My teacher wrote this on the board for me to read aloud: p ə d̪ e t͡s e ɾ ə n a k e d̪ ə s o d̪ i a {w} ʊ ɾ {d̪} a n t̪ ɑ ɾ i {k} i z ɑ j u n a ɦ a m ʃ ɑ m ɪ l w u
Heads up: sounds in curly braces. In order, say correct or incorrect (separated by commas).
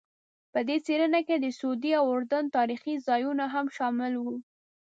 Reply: correct, correct, incorrect